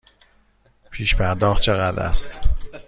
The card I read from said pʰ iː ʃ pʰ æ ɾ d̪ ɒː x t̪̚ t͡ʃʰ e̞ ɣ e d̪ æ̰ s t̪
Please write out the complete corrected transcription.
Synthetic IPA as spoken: pʰ iː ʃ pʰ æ ɾ d̪ ɒː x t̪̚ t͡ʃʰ e̞ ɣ æ d̪ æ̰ s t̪